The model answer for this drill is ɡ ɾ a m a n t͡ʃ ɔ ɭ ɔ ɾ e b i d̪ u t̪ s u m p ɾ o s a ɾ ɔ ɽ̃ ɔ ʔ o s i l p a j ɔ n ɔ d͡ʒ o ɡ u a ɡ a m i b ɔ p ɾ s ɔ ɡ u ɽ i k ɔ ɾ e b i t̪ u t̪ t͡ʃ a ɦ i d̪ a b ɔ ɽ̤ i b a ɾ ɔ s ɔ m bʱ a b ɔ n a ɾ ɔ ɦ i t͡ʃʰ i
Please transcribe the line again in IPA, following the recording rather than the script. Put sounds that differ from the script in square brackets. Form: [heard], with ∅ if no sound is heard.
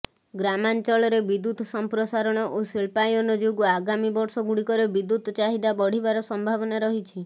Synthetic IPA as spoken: ɡ ɾ a m a n t͡ʃ ɔ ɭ ɔ ɾ e b i d̪ u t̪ s [ɔ] m p ɾ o s a ɾ ɔ ɽ̃ ɔ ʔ o s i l p a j ɔ n ɔ d͡ʒ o ɡ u a ɡ a m i b ɔ [∅] ɾ s ɔ ɡ u ɽ i k ɔ ɾ e b i [d̪] u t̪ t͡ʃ a ɦ i d̪ a b ɔ ɽ̤ i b a ɾ ɔ s ɔ m bʱ a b ɔ n a ɾ ɔ ɦ i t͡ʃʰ i